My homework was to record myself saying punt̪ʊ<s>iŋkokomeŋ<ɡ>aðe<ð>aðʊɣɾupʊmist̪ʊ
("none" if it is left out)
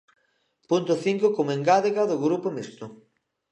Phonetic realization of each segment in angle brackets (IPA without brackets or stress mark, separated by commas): θ, ɡ, ɣ